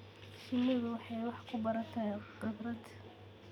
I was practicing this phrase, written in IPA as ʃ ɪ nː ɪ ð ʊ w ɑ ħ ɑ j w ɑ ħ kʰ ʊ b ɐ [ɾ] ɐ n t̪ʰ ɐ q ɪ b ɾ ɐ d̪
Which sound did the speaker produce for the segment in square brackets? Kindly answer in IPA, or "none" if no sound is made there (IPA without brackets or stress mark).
ɾ